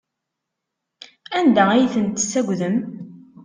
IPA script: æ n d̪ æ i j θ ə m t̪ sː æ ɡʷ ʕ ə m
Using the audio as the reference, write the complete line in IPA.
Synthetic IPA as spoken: æ n d̪ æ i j θ ə n t̪ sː æ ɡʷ ð ə m